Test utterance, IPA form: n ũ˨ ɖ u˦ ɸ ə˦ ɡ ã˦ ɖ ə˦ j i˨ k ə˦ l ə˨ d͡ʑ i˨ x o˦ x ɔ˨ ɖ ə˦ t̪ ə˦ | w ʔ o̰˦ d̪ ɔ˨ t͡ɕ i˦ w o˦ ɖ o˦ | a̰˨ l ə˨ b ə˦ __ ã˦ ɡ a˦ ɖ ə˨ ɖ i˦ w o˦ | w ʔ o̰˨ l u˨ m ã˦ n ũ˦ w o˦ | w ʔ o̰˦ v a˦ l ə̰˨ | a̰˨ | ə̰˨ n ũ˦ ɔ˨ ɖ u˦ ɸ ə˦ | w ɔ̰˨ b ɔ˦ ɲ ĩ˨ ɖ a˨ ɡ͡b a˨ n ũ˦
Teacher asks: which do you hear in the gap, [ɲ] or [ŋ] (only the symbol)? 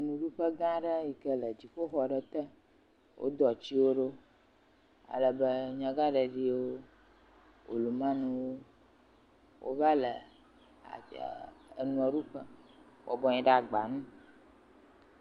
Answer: ɲ